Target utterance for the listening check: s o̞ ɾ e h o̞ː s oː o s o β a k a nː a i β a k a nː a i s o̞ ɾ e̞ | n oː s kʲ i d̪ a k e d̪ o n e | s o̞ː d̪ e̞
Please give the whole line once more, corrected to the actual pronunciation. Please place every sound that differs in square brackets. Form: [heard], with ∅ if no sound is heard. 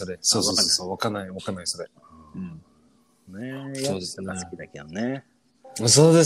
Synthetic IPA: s o̞ ɾ e [s] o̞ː s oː o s o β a k a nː a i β a k a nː a i s o̞ ɾ e̞ | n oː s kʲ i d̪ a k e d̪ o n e | s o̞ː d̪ e̞